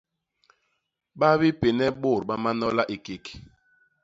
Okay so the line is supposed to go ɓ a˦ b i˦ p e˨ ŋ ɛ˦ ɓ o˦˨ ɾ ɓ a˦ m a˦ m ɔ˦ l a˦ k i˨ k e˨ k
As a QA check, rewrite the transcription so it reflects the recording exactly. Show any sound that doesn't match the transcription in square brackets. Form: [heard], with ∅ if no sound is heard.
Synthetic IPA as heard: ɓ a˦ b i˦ p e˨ [n] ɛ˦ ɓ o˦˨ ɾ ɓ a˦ m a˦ [n] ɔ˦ l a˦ [ʔ] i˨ k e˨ k